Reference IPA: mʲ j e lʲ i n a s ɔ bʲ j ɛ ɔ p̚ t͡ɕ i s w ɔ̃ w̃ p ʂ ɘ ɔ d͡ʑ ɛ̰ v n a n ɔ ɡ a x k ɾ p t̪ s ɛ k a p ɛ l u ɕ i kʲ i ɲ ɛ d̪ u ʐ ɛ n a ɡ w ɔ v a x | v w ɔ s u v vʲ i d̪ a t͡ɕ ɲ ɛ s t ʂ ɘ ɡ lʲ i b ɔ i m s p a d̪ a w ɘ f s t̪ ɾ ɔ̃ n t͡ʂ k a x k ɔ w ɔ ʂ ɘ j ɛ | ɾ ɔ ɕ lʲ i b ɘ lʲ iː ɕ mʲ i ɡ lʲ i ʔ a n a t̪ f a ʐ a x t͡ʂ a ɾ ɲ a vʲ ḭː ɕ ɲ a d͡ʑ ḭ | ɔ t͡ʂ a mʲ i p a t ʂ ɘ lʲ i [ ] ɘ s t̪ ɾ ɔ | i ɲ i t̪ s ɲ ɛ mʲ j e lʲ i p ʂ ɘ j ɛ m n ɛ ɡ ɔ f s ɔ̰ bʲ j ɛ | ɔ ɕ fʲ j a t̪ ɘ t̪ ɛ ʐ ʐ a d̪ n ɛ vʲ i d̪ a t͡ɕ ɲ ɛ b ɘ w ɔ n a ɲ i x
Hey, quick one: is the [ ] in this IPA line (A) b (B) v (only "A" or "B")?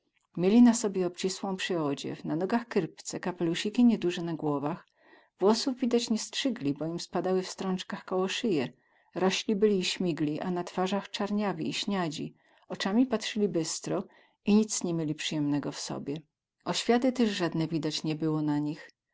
A